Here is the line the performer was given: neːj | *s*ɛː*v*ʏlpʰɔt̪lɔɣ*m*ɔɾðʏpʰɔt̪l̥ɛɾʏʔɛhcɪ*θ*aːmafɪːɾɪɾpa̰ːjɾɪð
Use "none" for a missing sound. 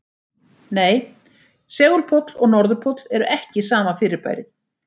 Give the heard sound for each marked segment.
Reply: s, ɣ, n, s

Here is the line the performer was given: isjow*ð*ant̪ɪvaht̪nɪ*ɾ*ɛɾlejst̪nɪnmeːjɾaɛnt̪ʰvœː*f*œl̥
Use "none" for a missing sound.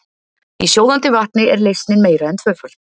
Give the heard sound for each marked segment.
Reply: ð, none, f

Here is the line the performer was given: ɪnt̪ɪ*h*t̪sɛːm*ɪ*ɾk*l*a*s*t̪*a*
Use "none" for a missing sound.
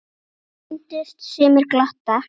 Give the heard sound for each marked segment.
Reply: s, ɪ, l, h, a

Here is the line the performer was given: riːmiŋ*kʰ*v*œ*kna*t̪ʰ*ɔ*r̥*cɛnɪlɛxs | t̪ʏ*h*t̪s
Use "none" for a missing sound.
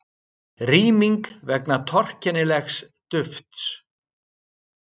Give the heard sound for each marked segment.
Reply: k, ɛ, t̪ʰ, r̥, f

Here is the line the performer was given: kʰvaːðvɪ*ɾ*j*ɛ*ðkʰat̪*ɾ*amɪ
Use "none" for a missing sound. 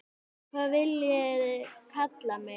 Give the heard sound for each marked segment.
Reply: l, ɛ, l

